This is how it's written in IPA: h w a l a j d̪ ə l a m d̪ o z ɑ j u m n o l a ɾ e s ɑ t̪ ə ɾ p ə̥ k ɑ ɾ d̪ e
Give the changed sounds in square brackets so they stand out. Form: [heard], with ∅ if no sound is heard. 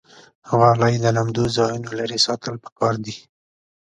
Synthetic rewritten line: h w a l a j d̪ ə l a m d̪ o z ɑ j u [∅] n o l a ɾ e s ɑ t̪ ə [l] p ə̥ k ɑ ɾ d̪ [i]